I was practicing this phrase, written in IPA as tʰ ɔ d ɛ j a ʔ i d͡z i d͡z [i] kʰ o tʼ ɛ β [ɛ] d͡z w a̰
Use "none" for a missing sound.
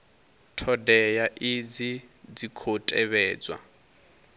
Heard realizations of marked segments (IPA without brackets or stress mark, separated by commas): i, ɛː